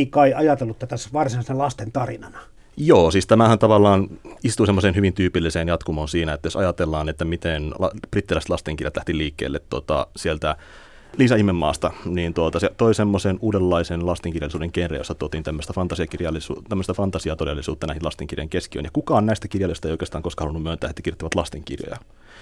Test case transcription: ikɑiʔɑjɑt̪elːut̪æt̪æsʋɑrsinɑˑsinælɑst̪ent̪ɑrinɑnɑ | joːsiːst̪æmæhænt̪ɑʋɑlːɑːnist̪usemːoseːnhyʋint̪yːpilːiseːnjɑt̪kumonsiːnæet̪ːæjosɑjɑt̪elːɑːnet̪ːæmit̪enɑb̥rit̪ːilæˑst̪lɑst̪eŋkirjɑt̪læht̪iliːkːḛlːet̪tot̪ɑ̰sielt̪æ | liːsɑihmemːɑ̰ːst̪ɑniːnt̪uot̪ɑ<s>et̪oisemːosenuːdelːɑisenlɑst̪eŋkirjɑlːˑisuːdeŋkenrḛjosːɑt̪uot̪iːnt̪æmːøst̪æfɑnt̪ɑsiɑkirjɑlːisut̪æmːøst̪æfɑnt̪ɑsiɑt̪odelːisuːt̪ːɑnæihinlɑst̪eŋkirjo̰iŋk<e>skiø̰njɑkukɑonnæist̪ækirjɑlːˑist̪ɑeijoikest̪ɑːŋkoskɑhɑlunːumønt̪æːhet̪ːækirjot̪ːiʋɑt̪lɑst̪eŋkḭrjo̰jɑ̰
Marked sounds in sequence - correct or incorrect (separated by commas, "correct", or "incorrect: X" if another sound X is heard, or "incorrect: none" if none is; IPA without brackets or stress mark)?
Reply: correct, correct